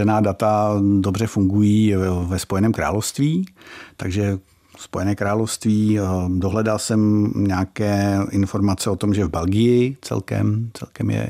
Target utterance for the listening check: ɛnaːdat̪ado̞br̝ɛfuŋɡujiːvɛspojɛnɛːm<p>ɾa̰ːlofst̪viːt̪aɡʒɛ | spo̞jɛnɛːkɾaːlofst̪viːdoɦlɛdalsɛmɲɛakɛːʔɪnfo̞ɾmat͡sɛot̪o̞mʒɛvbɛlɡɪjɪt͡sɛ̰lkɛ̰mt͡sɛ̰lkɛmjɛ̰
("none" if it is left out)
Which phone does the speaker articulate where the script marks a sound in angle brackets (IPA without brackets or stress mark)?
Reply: k